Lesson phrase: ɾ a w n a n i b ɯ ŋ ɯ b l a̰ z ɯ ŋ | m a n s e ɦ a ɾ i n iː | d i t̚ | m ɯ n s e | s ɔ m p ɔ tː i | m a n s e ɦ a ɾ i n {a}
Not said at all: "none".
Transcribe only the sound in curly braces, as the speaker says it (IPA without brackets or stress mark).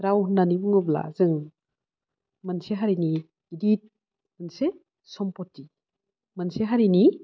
i